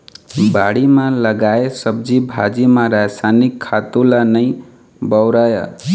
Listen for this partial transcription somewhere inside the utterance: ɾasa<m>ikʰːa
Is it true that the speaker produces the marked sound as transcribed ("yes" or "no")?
no